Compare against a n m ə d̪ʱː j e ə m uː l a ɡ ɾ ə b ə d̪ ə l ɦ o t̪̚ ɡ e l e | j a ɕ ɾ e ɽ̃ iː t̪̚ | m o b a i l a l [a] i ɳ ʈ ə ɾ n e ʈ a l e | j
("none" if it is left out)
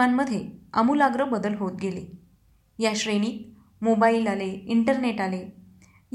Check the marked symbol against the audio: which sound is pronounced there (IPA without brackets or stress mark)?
e